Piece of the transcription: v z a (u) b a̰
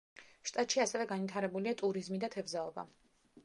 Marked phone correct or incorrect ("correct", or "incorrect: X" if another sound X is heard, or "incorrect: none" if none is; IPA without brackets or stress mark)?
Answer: incorrect: ɔ